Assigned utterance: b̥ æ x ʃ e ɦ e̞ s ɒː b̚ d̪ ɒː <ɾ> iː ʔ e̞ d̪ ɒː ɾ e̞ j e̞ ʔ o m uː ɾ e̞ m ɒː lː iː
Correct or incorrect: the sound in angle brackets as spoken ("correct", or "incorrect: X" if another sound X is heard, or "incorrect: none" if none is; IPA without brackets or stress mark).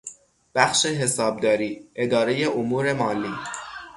correct